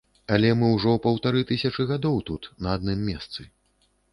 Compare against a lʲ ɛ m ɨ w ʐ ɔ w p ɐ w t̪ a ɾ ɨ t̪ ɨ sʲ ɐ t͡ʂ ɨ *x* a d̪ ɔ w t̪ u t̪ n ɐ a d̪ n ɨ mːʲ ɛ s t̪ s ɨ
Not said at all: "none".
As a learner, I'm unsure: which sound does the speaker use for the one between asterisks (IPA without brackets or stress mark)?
ɣ